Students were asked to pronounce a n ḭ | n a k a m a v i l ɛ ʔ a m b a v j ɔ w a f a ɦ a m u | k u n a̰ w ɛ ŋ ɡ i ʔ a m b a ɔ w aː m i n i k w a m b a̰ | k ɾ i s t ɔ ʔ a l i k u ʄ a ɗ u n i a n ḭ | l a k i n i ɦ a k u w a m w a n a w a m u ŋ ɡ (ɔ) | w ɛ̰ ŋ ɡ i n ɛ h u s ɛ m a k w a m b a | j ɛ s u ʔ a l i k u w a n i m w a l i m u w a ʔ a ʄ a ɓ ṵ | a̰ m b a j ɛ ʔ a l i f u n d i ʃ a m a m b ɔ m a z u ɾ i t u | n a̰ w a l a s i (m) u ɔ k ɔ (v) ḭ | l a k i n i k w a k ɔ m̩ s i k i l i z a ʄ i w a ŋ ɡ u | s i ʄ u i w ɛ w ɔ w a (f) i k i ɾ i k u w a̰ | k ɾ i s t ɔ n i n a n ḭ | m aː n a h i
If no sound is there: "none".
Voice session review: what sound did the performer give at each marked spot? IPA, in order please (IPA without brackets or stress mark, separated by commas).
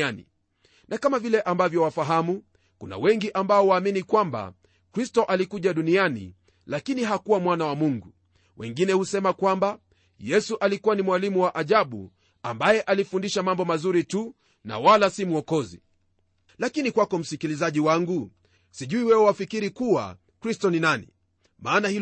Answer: u, m, z, f